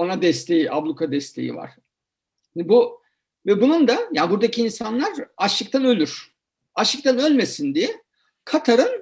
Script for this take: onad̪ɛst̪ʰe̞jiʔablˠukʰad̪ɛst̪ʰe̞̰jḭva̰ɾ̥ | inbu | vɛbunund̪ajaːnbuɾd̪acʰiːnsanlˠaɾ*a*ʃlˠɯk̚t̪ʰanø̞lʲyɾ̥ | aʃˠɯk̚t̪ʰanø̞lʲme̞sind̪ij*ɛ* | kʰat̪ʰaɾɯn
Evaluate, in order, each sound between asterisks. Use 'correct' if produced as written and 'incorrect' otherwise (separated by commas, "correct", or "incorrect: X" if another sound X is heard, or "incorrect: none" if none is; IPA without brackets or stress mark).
correct, correct